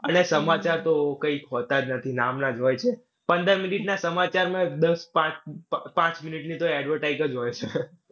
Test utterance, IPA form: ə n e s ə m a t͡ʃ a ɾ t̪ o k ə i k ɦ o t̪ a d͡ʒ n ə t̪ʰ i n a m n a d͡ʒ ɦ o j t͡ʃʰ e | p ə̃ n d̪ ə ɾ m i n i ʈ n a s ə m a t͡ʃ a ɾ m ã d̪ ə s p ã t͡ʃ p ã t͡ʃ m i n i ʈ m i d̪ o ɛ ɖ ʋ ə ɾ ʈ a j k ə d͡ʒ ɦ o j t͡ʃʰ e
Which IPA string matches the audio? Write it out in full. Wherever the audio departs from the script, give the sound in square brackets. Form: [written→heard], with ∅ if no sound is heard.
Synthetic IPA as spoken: ə n e s ə m a t͡ʃ a ɾ t̪ o k ə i k ɦ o t̪ a d͡ʒ n ə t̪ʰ i n a m n a d͡ʒ ɦ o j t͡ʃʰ e | p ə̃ n d̪ ə ɾ m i n i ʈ n a s ə m a t͡ʃ a ɾ m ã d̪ ə s p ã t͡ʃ p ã t͡ʃ m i n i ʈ [m→n] i [d̪→t̪] o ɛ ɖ ʋ ə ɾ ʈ a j k ə d͡ʒ ɦ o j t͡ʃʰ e